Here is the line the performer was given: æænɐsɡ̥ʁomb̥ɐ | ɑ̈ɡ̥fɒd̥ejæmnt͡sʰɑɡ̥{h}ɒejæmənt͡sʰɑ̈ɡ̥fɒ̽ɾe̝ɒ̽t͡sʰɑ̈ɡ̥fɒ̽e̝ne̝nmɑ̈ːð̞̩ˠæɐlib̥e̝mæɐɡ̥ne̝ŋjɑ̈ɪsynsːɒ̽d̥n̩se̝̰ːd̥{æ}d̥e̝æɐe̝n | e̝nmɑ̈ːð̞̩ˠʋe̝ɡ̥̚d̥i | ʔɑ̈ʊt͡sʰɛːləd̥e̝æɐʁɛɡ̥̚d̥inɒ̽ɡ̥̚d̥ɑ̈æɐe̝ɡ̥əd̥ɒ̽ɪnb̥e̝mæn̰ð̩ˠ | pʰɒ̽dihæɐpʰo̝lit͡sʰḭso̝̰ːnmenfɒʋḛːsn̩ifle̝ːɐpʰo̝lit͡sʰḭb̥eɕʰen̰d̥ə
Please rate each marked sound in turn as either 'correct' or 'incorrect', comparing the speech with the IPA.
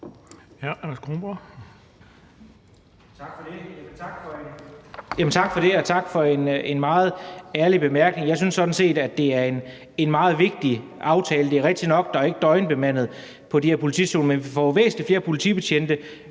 incorrect: f, correct

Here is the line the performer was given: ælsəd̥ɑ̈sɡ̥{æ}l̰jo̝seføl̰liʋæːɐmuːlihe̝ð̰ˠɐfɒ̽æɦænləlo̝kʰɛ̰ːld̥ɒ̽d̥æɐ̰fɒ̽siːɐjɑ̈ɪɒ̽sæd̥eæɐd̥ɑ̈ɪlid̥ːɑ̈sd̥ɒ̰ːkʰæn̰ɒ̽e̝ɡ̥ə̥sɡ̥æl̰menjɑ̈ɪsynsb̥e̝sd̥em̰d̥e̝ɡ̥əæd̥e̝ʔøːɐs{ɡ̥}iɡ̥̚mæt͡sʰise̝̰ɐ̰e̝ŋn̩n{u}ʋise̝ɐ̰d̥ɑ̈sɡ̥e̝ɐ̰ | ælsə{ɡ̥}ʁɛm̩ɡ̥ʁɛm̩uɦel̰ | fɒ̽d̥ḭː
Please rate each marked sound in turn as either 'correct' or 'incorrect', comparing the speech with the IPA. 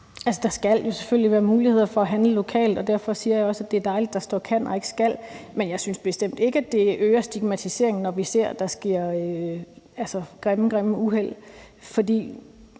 correct, incorrect: d̥, incorrect: ɒ, correct

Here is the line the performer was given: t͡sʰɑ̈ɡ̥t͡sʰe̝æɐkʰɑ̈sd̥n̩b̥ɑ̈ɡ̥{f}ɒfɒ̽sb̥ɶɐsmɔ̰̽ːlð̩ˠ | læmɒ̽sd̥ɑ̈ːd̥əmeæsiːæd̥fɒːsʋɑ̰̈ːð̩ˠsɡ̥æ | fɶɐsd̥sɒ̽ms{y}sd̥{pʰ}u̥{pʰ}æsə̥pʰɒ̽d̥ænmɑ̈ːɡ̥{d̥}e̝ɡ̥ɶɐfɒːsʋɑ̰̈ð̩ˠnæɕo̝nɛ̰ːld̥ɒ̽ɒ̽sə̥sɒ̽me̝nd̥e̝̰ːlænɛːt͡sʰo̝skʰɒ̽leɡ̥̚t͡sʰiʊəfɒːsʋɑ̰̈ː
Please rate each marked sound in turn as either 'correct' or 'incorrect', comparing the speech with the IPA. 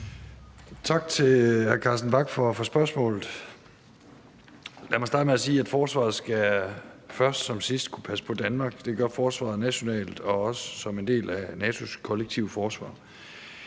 correct, incorrect: i, incorrect: kʰ, correct, correct

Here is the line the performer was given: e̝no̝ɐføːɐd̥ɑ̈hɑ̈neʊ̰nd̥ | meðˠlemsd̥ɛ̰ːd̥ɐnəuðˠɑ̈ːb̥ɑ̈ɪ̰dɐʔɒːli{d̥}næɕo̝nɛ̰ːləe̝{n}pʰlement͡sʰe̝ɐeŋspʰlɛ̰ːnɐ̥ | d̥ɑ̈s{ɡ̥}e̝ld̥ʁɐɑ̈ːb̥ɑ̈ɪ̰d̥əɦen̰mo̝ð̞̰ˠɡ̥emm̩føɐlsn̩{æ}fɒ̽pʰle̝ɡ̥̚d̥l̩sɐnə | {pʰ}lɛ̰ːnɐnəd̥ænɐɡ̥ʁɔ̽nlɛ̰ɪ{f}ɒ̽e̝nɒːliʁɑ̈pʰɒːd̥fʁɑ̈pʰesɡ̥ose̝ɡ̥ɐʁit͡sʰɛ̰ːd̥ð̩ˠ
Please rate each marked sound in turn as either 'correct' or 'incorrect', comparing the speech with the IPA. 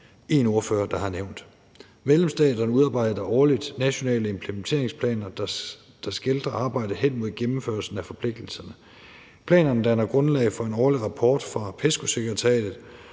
correct, incorrect: m, correct, correct, correct, correct

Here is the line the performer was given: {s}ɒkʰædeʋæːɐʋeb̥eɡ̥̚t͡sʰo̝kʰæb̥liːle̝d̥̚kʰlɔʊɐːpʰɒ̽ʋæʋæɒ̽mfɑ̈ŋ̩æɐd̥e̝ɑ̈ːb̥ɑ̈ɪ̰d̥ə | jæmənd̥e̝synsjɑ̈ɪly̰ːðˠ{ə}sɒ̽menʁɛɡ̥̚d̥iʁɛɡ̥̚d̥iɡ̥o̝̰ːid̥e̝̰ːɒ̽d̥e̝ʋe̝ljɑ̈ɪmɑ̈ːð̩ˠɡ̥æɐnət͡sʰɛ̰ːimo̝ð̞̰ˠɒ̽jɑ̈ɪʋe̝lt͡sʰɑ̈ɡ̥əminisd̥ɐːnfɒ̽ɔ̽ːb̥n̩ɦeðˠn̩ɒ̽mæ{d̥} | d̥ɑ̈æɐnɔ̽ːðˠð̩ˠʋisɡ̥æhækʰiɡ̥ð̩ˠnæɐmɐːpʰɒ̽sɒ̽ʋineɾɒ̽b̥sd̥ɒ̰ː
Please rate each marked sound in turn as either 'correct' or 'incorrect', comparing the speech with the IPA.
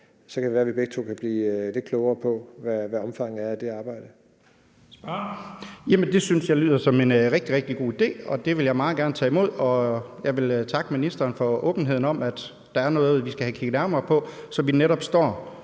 correct, incorrect: ɐ, correct

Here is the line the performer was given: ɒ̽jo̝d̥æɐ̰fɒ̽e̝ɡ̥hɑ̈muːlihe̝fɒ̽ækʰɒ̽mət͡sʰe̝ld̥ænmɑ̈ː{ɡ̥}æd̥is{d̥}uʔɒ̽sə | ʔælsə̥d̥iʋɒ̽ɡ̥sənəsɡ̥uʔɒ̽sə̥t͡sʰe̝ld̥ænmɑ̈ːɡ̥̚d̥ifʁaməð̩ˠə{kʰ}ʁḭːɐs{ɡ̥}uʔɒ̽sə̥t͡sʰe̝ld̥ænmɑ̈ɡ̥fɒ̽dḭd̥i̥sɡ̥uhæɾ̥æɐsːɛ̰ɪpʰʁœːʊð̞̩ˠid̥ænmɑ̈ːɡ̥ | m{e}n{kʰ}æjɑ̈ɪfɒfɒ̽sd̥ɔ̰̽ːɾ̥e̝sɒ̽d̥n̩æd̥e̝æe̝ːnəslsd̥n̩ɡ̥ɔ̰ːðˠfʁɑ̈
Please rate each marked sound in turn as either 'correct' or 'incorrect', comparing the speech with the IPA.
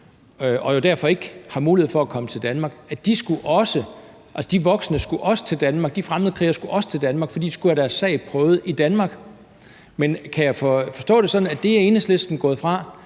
correct, incorrect: ɡ̥, correct, correct, correct, correct

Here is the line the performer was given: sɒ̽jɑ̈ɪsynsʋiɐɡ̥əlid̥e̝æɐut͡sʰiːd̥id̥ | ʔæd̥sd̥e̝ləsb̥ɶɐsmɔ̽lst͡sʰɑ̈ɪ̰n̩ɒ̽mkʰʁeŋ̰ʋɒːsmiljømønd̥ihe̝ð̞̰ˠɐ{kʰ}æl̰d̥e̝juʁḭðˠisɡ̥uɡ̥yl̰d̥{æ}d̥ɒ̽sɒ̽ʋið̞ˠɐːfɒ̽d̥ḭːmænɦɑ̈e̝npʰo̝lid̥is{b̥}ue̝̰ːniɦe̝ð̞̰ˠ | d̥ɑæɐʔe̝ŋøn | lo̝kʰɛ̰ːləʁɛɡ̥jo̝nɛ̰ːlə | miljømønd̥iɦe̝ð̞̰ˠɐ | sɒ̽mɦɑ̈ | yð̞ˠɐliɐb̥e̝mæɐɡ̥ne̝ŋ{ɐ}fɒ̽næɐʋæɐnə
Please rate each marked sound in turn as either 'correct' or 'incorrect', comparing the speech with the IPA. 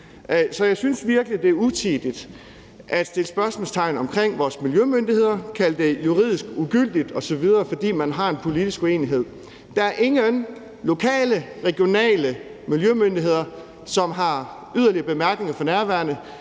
correct, incorrect: i, incorrect: ɡ̥, correct

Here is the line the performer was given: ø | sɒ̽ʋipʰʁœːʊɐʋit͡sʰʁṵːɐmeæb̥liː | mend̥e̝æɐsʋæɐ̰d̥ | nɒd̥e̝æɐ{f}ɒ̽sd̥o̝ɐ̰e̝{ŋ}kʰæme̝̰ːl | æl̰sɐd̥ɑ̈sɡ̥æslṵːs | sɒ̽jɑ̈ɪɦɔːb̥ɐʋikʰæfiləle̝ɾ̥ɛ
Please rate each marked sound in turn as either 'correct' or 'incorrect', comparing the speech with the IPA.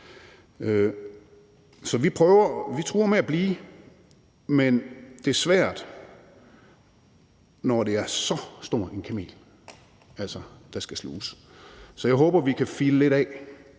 incorrect: s, incorrect: n

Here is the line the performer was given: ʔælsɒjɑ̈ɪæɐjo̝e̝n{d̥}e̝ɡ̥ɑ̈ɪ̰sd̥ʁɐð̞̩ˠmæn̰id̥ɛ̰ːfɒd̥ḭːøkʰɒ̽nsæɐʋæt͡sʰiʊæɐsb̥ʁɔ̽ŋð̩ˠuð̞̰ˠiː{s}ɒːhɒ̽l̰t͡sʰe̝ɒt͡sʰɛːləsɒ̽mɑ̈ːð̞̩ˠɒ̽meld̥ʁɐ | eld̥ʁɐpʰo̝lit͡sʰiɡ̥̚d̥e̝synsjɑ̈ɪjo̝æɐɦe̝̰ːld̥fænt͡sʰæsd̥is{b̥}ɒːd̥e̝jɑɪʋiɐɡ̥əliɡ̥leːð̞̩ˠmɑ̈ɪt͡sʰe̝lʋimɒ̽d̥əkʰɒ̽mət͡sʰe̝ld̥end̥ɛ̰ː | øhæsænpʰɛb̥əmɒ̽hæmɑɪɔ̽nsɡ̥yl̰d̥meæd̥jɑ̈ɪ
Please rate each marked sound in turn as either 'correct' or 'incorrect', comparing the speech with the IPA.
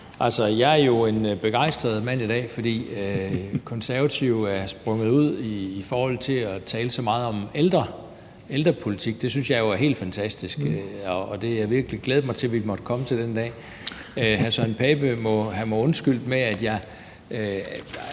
incorrect: b̥, incorrect: f, incorrect: ɡ̥

